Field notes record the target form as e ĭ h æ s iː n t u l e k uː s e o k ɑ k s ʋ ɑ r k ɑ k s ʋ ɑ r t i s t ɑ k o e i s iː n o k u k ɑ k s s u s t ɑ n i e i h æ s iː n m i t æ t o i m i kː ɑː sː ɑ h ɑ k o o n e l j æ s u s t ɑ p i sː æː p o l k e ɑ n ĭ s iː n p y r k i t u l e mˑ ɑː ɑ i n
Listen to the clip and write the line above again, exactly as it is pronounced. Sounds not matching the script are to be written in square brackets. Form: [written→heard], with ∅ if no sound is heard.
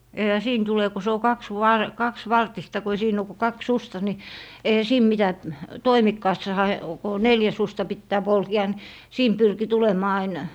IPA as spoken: e ĭ h æ s iː n t u l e k [uː→u] s e o k ɑ k s ʋ ɑ r k ɑ k s ʋ ɑ r t i s t ɑ k o e i s iː n o k u k ɑ k s s u s t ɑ n i e i h æ s iː n m i t æ t o i m i kː ɑː sː ɑ h ɑ k o o n e l j æ s u s t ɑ p i [sː→tː] æː p o l k e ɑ n ĭ s iː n p y r k i t u l e mˑ ɑː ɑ i n